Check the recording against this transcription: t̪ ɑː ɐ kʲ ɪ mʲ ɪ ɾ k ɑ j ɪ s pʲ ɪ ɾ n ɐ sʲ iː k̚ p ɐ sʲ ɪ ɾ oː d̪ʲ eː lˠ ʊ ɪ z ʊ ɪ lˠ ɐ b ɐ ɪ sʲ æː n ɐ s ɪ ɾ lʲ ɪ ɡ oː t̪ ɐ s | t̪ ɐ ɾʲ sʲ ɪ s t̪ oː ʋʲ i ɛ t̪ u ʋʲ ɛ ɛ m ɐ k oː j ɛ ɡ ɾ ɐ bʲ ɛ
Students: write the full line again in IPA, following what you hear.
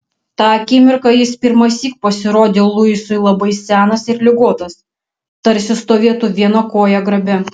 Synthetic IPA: t̪ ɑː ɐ kʲ ɪ mʲ ɪ ɾ k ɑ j ɪ s pʲ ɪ ɾ m ɐ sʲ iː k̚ p ɐ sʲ ɪ ɾ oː d̪ʲ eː lˠ ʊ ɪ s ʊ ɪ lˠ ɐ b ɐ ɪ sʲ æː n ɐ s ɪ ɾ lʲ ɪ ɡ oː t̪ ɐ s | t̪ ɐ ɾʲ sʲ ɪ s t̪ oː ʋʲ i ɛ t̪ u ʋʲ i ɛ n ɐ k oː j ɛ ɡ ɾ ɐ bʲ ɛ

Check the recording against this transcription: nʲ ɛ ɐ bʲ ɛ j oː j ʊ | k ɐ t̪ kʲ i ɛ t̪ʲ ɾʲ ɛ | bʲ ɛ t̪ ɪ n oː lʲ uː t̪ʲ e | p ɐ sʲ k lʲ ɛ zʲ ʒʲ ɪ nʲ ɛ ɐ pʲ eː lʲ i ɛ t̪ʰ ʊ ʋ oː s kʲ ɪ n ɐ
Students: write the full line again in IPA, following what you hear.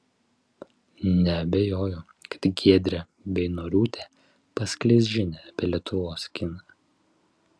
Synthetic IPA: nʲ ɛ ɐ bʲ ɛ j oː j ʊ | k ɐ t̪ ɡʲ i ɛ d̪ʲ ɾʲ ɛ | bʲ ɛ ɪ n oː ɾʲ uː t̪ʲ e | p ɐ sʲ k lʲ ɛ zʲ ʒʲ ɪ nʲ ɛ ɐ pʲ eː lʲ i ɛ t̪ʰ ʊ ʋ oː s kʲ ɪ n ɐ

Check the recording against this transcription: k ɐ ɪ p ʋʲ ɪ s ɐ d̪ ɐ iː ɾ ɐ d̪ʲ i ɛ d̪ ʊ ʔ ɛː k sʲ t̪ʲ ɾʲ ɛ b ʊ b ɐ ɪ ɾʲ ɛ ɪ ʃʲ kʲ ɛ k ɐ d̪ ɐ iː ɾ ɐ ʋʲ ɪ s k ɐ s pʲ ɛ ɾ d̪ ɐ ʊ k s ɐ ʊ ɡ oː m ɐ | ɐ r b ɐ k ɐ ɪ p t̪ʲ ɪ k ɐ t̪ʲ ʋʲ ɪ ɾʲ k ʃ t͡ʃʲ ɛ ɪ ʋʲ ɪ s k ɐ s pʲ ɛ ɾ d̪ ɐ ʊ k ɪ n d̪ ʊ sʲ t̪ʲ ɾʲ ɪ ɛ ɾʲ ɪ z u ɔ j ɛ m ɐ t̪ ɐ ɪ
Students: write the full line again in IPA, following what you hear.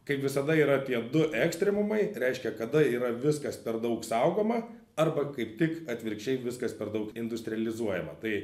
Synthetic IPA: k ɐ ɪ p ʋʲ ɪ s ɐ d̪ ɐ iː ɾ ɐ t̪ʲ i ɛ d̪ ʊ ʔ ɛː k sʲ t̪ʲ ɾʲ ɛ m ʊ m ɐ ɪ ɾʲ ɛ ɪ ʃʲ kʲ ɛ k ɐ d̪ ɐ iː ɾ ɐ ʋʲ ɪ s k ɐ s pʲ ɛ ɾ d̪ ɐ ʊ k s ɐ ʊ ɡ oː m ɐ | ɐ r b ɐ k ɐ ɪ p t̪ʲ ɪ k ɐ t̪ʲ ʋʲ ɪ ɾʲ k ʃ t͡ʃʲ ɛ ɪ ʋʲ ɪ s k ɐ s pʲ ɛ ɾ d̪ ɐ ʊ k ɪ n d̪ ʊ sʲ t̪ʲ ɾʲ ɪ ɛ lʲ ɪ z u ɔ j ɛ m ɐ t̪ ɐ ɪ

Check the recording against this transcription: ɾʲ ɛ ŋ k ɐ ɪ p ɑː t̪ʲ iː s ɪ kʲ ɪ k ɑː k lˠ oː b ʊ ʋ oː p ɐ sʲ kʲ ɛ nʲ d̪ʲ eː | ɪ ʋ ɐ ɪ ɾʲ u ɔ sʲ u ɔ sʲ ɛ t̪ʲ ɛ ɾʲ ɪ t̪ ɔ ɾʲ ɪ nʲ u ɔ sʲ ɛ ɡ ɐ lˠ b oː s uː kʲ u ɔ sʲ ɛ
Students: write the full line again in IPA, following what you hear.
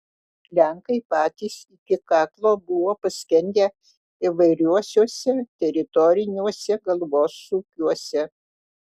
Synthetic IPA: lʲ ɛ ŋ k ɐ ɪ p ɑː t̪ʲ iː s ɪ kʲ ɪ k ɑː k lˠ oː b ʊ ʋ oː p ɐ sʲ kʲ ɛ nʲ d̪ʲ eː | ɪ ʋ ɐ ɪ ɾʲ u ɔ sʲ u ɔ sʲ ɛ t̪ʲ ɛ ɾʲ ɪ t̪ ɔ ɾʲ ɪ nʲ u ɔ sʲ ɛ ɡ ɐ lˠ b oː s uː kʲ u ɔ sʲ ɛ

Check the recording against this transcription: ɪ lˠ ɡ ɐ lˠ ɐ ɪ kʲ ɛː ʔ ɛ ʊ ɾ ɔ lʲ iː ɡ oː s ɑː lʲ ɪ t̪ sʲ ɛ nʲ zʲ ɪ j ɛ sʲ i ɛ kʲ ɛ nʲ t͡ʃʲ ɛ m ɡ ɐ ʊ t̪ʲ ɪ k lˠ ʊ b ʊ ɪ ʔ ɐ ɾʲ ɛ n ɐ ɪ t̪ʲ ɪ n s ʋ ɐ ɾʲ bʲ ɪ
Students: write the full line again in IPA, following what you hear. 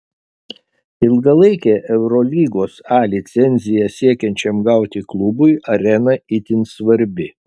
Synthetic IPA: ɪ lˠ ɡ ɐ lˠ ɐ ɪ kʲ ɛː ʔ ɛ ʊ ɾ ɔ lʲ iː ɡ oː s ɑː lʲ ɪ t̪ sʲ ɛ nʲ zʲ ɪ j ɛ sʲ i ɛ kʲ ɛ nʲ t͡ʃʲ ɛ m ɡ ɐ ʊ t̪ʲ ɪ k lˠ ʊ b ʊ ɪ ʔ ɐ ɾʲ ɛ n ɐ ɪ t̪ʲ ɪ n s ʋ ɐ ɾʲ bʲ ɪ

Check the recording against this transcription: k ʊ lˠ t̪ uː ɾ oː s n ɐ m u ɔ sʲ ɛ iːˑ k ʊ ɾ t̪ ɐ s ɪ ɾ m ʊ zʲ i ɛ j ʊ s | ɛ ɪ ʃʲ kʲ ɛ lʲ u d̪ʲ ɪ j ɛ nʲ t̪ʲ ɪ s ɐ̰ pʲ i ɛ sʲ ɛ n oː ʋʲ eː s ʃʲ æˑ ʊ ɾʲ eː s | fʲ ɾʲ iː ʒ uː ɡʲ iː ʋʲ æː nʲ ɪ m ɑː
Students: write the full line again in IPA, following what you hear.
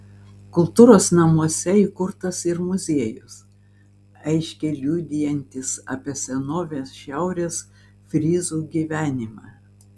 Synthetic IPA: k ʊ lˠ t̪ uː ɾ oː s n ɐ m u ɔ sʲ ɛ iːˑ k ʊ ɾ t̪ ɐ s ɪ ɾ m ʊ zʲ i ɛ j ʊ s | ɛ ɪ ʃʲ kʲ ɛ lʲ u d̪ʲ ɪ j ɛ nʲ t̪ʲ ɪ s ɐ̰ pʲ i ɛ sʲ ɛ n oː ʋʲ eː s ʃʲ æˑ ʊ ɾʲ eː s | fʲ ɾʲ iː z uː ɡʲ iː ʋʲ æː nʲ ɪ m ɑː

